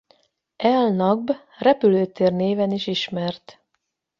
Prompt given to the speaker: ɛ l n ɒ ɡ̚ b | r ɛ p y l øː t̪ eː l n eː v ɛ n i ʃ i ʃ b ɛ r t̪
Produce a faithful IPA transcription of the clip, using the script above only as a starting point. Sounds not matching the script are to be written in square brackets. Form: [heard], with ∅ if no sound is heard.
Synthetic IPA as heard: ɛ l n ɒ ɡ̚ b | r ɛ p y l øː t̪ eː [r] n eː v ɛ n i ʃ i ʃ [m] ɛ r t̪